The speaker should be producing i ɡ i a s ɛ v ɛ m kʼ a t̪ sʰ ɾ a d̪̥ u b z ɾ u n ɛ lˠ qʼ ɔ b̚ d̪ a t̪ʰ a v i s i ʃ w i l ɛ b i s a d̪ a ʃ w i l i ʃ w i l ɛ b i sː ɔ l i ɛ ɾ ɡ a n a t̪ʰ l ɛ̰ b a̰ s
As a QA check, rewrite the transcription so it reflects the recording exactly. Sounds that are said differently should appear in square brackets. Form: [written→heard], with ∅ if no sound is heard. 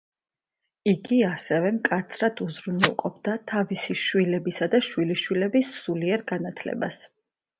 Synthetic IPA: i ɡ i a s ɛ v ɛ m kʼ a t̪ sʰ ɾ a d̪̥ u [b→∅] z ɾ u n ɛ lˠ qʼ ɔ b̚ d̪ a t̪ʰ a v i s i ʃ w i l ɛ b i s a d̪ a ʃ w i l i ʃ w i l ɛ b i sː [ɔ→u] l i ɛ ɾ ɡ a n a t̪ʰ l ɛ̰ b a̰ s